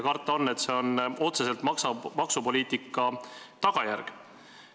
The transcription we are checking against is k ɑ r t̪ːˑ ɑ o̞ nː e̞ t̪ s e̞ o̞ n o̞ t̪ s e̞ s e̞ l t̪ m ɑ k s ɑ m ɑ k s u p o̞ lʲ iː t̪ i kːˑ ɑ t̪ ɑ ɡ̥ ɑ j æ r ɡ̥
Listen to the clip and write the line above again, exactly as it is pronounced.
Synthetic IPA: k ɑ r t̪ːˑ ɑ o̞ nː e̞ t̪ s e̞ o̞ n o̞ t̪ s e̞ s e̞ l t̪ m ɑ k s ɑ m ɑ k s u p o̞ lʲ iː t̪ i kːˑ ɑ t̪ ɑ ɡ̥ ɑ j æ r ɡ̥